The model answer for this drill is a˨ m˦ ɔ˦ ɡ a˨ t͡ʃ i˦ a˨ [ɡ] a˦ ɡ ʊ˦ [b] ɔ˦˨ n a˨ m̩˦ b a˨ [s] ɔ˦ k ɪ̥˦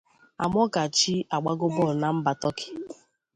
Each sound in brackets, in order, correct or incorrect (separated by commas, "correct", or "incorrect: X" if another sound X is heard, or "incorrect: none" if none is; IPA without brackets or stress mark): incorrect: ɡ͡b, correct, incorrect: t